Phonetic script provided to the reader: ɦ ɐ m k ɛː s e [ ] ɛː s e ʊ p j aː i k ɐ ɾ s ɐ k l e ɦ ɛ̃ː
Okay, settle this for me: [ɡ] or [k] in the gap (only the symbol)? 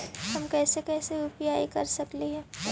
k